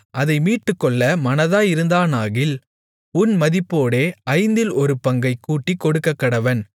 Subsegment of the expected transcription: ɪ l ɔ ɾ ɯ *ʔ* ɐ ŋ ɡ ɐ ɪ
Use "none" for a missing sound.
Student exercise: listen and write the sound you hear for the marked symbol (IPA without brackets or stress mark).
p